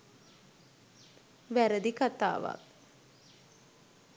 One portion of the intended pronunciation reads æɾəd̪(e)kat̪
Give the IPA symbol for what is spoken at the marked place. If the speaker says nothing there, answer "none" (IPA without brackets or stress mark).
i